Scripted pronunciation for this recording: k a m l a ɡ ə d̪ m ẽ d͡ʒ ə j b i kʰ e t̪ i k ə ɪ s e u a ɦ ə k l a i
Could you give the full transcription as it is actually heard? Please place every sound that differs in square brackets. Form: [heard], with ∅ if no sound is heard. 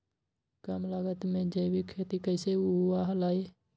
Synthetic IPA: k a m l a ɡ ə [t̪] m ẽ d͡ʒ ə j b i kʰ e t̪ i k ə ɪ s e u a ɦ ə [∅] l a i